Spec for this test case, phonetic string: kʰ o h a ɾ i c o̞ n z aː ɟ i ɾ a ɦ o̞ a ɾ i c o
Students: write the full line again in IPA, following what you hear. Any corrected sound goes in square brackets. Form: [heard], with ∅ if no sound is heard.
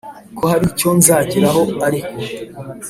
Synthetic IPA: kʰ o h a ɾ i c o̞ n z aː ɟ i ɾ a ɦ o̞ a ɾ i [k] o